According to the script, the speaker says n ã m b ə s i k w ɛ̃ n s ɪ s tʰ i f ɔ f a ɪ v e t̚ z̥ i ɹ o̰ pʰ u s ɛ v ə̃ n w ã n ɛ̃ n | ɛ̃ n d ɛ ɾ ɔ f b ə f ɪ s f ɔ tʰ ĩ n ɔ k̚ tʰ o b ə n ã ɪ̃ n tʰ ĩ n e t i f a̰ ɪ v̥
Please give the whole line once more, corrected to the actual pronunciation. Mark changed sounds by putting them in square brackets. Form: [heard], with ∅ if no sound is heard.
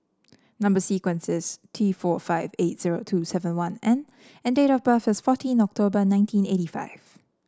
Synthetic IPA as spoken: n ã m b ə s i k w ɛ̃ n s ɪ s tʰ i f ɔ f a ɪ v e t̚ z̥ i ɹ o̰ [tʰ] u s ɛ v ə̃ n w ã n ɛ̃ n | ɛ̃ n d [e] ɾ ɔ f b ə f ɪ s f ɔ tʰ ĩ n ɔ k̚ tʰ o b ə n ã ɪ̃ n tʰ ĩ n e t i f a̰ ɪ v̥